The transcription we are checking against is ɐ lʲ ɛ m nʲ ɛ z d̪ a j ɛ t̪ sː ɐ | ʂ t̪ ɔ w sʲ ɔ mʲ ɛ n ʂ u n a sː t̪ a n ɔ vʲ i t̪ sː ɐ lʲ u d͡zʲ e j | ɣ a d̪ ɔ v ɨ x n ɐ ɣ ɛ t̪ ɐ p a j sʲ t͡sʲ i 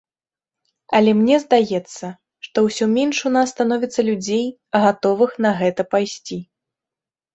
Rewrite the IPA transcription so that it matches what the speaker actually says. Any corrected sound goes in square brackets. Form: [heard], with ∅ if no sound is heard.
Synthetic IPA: ɐ lʲ ɛ m nʲ ɛ z d̪ a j ɛ t̪ sː ɐ | ʂ t̪ ɔ w sʲ ɔ mʲ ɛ n ʂ u n a sː t̪ a n ɔ vʲ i t̪ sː ɐ lʲ u d͡zʲ e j | ɣ a [t̪] ɔ v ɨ x n ɐ ɣ ɛ t̪ ɐ p a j sʲ t͡sʲ i